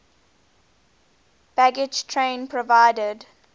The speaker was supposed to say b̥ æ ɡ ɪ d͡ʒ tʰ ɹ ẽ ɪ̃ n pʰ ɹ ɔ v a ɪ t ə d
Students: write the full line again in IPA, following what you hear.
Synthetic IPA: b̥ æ ɡ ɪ d͡ʒ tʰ ɹ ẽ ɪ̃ n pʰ ɹ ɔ v a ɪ d ə d